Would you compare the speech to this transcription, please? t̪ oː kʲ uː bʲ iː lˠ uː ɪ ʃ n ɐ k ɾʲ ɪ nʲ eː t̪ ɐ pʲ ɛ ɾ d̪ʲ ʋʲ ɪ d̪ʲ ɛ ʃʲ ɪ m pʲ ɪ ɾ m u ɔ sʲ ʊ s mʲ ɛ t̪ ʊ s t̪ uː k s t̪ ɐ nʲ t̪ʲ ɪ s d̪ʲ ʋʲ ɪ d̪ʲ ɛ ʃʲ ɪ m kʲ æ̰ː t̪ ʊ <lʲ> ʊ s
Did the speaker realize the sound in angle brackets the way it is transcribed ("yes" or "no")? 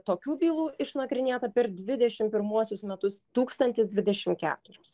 no